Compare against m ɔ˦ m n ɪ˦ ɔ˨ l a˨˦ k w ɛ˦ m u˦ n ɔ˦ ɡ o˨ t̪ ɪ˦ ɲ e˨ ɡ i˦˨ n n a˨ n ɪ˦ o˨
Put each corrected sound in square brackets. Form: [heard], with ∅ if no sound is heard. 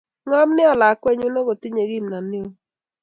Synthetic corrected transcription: [ŋ] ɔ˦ m n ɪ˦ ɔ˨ l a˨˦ k w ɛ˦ [ɲ] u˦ n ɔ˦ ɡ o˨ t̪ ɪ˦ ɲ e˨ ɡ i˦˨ [m] n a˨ n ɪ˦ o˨